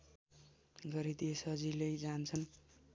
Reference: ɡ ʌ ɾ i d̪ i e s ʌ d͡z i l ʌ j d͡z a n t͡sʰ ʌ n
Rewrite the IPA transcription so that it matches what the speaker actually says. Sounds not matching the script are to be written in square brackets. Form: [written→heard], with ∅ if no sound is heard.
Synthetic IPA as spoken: ɡ ʌ ɾ i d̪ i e s ʌ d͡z i l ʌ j d͡z a n t͡sʰ ʌ n